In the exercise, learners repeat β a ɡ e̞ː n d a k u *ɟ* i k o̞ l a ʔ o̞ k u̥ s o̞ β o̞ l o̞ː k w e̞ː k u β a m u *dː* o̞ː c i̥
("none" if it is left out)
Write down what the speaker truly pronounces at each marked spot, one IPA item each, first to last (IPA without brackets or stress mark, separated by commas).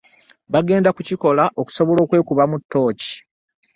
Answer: c, tː